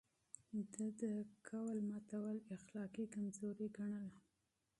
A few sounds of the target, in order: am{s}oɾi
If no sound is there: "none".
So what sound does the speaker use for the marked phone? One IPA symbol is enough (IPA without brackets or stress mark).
z